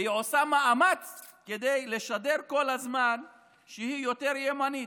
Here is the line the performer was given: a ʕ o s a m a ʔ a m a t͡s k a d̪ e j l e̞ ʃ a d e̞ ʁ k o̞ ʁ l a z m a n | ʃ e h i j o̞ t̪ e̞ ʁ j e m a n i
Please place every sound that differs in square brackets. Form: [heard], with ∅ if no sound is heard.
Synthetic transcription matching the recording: [i] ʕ o s a m a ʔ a m a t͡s k [e] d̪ e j l e̞ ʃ a d e̞ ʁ k o̞ [∅] l a z m a n | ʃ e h i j o̞ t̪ e̞ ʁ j e m a n i